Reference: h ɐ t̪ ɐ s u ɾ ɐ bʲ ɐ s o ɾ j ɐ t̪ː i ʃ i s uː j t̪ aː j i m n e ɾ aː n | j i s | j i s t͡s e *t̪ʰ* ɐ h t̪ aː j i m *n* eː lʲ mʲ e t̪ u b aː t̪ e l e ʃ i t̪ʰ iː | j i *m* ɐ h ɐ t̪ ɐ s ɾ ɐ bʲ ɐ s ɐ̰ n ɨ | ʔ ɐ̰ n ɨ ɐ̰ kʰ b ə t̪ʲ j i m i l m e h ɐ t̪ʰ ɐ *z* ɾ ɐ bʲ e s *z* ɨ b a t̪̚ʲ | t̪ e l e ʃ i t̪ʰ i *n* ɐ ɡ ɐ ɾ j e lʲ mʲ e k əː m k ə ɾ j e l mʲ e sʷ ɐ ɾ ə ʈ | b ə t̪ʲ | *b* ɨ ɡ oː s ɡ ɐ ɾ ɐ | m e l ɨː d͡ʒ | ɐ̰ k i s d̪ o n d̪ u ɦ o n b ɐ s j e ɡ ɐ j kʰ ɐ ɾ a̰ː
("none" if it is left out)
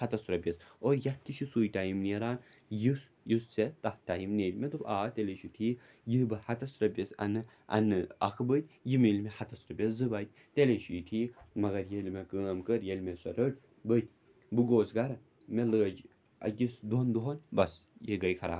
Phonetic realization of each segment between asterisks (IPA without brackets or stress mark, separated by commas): t̪, n, b, s, z, m, b